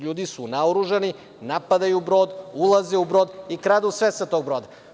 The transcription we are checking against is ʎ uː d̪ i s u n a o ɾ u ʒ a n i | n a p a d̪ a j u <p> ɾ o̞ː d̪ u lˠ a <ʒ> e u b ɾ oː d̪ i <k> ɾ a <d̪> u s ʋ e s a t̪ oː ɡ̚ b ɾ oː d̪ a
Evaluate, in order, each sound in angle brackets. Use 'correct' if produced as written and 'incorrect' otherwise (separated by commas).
incorrect, incorrect, correct, correct